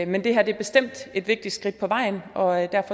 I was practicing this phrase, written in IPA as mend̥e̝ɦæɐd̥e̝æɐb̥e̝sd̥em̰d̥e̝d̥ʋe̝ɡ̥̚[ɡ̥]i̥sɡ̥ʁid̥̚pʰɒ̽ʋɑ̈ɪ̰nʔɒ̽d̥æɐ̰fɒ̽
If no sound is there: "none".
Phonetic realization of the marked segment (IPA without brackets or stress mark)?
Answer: d̥